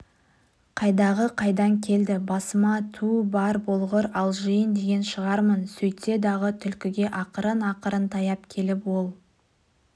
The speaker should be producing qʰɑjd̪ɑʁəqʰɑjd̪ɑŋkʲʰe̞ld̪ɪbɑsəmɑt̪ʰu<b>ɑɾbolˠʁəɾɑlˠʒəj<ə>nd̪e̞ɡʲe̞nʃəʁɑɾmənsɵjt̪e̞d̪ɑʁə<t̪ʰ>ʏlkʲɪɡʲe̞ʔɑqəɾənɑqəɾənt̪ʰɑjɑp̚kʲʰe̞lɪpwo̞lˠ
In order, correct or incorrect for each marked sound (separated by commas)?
correct, correct, correct